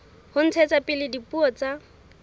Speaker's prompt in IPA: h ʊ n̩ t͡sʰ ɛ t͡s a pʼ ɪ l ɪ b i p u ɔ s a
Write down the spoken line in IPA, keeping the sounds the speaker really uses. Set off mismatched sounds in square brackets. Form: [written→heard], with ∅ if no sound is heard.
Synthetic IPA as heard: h ʊ n̩ t͡sʰ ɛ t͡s a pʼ ɪ l ɪ [b→d] i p u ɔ [s→t͡s] a